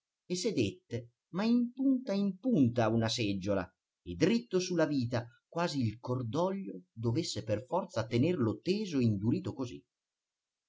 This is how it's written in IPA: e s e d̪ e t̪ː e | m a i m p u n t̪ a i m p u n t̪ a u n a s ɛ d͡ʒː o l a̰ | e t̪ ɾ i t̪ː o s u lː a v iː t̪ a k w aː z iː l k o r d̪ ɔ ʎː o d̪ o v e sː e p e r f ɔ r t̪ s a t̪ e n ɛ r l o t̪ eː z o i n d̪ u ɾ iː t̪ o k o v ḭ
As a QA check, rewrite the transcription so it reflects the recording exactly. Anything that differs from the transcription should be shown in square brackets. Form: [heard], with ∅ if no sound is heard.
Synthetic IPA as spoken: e s e d̪ e t̪ː e | m a i m p u n t̪ a i m p u n t̪ a u n a s ɛ d͡ʒː o l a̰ | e [d̪] ɾ i t̪ː o s u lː a v iː t̪ a k w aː z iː l k o r d̪ ɔ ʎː o d̪ o v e sː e p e r f ɔ r t̪ s a t̪ e n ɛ r l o t̪ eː z o i n d̪ u ɾ iː t̪ o k o [z] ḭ

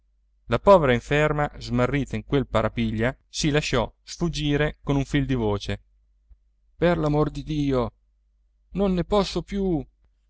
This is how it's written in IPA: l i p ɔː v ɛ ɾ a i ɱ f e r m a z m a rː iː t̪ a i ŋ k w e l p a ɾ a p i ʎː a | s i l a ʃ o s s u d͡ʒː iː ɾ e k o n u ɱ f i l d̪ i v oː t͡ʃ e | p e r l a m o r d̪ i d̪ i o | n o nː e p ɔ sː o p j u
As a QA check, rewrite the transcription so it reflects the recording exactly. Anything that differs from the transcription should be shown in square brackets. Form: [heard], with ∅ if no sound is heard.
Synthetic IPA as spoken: l [a] p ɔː v [e] ɾ a i ɱ f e r m a z m a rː iː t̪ a i ŋ k w e l p a ɾ a p i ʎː a | s i l a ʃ [ɔ] s [f] u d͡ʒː iː ɾ e k o n u ɱ f i l d̪ i v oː t͡ʃ e | p e r l a m o r d̪ i d̪ [iː] o | n o nː e p ɔ sː o p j u

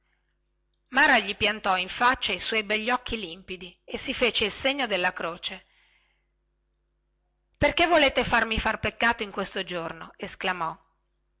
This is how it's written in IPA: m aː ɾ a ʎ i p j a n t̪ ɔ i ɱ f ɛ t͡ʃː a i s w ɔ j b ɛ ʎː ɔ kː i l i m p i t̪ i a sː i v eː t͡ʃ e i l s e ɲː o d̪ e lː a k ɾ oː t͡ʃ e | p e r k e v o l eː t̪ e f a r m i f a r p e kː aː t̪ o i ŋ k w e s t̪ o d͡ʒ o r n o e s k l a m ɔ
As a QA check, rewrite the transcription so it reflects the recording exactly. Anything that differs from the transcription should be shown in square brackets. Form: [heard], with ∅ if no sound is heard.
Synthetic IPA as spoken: m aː ɾ a ʎ i p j a n t̪ ɔ i ɱ f [a] t͡ʃː a i s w ɔ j b ɛ ʎː ɔ kː i l i m p i [d̪] i [e] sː i [f] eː t͡ʃ e i l s e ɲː o d̪ e lː a k ɾ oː t͡ʃ e | p e r k e v o l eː t̪ e f a r m i f a r p e kː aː t̪ o i ŋ k w e s t̪ o d͡ʒ o r n o e s k l a m ɔ

